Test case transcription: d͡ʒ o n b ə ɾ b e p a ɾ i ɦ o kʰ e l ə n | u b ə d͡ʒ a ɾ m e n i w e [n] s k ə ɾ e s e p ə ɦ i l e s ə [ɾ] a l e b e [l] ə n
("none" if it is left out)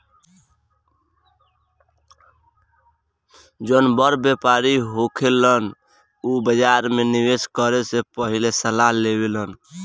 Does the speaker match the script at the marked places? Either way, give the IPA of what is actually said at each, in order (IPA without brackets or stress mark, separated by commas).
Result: none, l, l